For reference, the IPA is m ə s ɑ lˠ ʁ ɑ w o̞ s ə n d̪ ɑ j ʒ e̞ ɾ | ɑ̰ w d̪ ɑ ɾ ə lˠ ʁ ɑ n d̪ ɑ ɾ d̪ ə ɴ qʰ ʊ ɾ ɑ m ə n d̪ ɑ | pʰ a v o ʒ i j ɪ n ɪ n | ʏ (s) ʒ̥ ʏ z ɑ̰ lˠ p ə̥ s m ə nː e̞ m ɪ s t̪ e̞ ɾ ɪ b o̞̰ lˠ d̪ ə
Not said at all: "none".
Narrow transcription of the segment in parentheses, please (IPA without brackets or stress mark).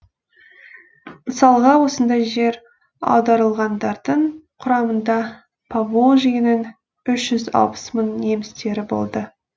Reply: ʃ